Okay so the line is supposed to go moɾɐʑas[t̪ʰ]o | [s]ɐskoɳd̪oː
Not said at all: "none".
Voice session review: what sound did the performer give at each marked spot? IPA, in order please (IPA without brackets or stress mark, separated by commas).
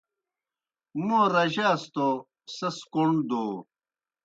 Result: t̪, s